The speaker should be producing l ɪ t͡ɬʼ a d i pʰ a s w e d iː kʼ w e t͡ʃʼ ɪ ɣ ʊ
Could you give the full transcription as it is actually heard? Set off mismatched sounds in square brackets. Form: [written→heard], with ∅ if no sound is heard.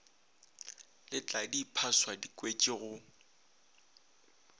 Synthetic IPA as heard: l ɪ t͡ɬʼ a d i pʰ a s w [e→a] d [iː→i] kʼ w e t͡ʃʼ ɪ ɣ ʊ